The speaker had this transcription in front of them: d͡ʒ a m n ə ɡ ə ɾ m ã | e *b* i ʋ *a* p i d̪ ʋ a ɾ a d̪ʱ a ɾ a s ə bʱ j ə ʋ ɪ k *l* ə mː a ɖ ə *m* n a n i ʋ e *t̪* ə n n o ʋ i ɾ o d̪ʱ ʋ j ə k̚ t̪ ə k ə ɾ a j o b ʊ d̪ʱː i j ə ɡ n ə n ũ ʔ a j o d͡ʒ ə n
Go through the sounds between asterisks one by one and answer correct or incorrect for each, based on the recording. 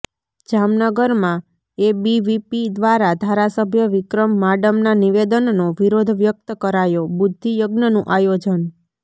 correct, incorrect: i, incorrect: ɾ, correct, incorrect: d̪

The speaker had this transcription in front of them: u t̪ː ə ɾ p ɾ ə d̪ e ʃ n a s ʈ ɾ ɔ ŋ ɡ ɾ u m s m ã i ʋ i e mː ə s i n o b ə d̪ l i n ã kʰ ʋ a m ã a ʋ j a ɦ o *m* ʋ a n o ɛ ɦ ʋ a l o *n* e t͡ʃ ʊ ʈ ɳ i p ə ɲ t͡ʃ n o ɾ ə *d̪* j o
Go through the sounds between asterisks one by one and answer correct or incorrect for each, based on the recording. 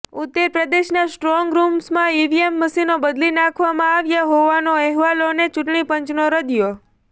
incorrect: none, correct, correct

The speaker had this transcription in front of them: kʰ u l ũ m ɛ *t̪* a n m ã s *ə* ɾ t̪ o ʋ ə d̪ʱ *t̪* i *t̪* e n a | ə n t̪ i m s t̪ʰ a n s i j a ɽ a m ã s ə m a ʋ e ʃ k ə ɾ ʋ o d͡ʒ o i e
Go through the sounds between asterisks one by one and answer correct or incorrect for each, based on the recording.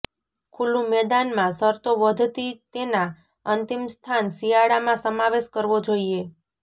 incorrect: d̪, correct, correct, correct

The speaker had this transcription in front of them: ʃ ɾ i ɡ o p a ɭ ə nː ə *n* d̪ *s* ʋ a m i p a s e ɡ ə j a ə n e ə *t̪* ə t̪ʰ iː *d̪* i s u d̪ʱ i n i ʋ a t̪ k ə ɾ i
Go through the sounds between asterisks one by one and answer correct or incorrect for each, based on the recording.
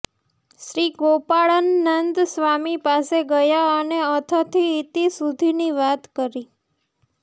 correct, correct, incorrect: t̪ʰ, incorrect: t̪

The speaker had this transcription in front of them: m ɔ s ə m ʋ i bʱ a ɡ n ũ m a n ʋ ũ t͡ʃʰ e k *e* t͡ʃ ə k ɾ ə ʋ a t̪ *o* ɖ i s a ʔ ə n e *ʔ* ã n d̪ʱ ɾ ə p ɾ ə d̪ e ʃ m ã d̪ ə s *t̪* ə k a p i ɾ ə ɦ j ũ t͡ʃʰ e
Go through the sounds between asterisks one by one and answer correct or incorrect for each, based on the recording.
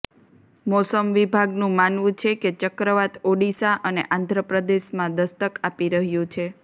correct, correct, correct, correct

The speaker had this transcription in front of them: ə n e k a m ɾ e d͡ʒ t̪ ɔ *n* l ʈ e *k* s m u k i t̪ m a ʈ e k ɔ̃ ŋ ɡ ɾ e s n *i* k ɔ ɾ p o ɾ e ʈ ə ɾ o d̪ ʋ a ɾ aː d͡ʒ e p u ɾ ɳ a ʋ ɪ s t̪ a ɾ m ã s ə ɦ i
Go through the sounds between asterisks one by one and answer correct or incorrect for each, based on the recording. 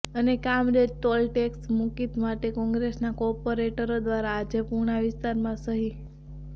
incorrect: none, correct, incorrect: a

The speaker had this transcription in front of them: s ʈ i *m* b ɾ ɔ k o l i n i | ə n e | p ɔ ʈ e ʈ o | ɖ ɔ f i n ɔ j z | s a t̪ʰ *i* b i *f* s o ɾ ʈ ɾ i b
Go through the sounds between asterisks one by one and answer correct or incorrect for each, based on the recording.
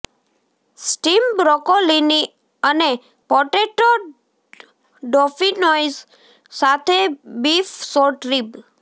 correct, incorrect: e, correct

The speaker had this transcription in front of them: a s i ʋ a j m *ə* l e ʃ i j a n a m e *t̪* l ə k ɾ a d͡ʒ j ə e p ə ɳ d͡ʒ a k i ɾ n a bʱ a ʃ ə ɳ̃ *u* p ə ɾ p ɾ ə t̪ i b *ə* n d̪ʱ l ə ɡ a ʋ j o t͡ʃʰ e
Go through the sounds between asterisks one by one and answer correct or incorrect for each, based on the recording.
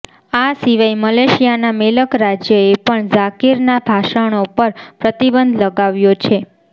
correct, incorrect: none, incorrect: o, correct

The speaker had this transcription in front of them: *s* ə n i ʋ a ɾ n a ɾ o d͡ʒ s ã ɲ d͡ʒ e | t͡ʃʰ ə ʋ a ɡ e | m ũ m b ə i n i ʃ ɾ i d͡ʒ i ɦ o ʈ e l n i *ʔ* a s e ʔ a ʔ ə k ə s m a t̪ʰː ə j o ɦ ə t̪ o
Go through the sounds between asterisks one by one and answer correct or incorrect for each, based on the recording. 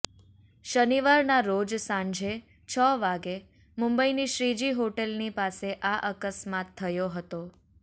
incorrect: ʃ, incorrect: p

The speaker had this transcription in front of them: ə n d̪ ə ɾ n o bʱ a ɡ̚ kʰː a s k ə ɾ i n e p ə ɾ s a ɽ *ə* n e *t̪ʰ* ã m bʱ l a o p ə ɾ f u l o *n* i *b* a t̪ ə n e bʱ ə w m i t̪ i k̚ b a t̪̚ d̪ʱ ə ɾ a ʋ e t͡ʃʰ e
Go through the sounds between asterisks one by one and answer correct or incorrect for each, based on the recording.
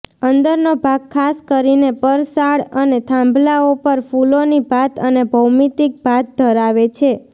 correct, correct, correct, correct

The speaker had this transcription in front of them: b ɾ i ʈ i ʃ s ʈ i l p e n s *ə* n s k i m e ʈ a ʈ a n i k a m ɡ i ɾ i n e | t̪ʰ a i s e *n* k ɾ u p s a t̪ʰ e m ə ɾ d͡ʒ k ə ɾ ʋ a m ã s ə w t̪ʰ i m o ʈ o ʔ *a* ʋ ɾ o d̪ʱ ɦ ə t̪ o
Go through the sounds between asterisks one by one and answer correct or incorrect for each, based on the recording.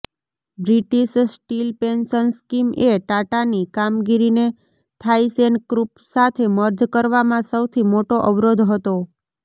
correct, correct, incorrect: ə

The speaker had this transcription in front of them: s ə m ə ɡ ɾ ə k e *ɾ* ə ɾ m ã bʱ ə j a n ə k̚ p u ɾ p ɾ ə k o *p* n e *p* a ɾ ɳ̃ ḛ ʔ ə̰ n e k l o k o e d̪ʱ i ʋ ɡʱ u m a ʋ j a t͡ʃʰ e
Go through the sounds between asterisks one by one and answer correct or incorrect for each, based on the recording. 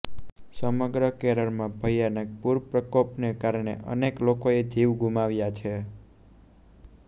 correct, correct, incorrect: k

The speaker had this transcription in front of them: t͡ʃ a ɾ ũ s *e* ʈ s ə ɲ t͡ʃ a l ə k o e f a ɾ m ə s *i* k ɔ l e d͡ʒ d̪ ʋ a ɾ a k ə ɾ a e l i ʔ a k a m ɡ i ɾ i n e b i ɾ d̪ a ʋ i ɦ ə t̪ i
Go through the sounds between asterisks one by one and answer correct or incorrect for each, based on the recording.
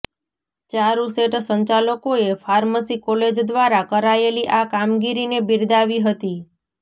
correct, correct

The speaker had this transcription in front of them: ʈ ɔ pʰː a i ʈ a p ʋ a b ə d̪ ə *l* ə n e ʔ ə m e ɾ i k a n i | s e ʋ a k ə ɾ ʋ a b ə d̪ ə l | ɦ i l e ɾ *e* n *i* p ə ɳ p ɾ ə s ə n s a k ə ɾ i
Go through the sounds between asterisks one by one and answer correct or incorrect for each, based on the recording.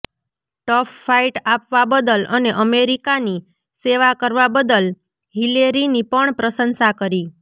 correct, incorrect: i, correct

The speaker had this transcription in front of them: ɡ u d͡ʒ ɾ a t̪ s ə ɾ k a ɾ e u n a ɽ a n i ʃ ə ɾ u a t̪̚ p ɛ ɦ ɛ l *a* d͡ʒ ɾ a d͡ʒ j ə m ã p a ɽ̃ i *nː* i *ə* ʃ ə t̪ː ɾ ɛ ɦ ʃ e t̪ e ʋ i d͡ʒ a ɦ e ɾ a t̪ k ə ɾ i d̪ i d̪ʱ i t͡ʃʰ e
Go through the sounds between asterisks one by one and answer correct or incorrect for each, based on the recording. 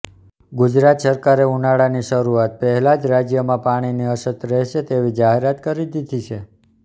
correct, incorrect: n, correct

